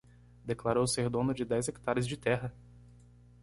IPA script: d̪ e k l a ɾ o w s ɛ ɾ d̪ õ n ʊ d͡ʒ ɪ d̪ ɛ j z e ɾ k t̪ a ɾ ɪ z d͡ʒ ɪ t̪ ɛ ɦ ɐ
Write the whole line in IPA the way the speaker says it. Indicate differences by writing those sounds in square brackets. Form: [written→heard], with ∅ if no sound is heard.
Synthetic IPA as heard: d̪ e k l a ɾ o w s [ɛ→e] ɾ d̪ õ n ʊ d͡ʒ ɪ d̪ ɛ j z e [ɾ→∅] k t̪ a ɾ ɪ z d͡ʒ ɪ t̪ ɛ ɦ ɐ